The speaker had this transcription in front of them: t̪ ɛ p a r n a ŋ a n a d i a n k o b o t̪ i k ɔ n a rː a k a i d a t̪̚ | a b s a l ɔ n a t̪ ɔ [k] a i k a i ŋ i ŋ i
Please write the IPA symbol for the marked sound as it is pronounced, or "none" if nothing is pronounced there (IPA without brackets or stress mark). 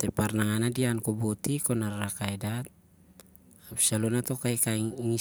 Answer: k